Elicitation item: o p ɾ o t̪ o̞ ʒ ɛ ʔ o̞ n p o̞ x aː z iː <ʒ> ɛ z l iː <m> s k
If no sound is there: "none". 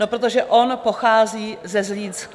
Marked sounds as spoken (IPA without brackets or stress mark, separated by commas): z, n